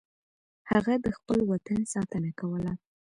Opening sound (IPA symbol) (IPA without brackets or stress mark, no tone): h